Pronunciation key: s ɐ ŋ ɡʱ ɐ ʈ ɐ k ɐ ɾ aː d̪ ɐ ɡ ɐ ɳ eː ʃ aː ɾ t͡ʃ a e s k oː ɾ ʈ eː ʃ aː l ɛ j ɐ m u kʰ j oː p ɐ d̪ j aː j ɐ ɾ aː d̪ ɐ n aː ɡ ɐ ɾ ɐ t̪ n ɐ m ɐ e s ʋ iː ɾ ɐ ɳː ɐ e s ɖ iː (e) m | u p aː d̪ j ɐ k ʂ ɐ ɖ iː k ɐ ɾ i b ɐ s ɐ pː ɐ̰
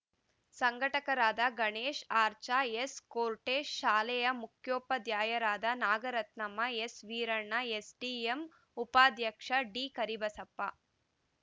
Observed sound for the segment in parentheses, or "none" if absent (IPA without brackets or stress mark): e